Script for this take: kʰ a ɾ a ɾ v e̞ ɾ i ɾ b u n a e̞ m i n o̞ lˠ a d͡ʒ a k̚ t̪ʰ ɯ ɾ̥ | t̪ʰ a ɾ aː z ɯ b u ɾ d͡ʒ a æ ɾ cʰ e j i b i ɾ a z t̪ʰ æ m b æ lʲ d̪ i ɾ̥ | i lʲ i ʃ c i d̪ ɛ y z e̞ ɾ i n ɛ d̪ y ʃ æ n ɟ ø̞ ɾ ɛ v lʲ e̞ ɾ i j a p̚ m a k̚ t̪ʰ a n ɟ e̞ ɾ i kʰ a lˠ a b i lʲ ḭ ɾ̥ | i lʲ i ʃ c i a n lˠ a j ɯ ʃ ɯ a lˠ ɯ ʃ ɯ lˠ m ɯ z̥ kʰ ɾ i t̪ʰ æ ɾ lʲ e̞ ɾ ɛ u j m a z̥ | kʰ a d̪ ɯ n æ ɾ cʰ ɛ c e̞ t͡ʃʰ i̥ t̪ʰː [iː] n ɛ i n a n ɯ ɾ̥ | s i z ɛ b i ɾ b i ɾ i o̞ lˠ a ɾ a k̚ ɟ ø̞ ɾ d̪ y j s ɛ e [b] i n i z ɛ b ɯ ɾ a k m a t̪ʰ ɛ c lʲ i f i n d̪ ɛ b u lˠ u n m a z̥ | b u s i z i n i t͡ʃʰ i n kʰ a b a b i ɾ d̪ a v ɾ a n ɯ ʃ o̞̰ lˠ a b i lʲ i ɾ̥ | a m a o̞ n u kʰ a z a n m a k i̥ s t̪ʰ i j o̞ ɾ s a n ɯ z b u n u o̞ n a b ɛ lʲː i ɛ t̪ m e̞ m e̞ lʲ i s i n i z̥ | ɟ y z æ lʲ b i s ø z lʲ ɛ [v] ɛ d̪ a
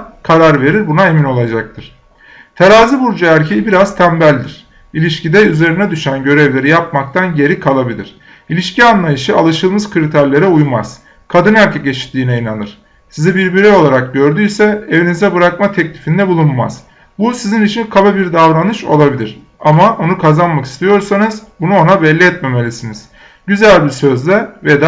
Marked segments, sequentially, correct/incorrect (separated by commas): correct, incorrect, correct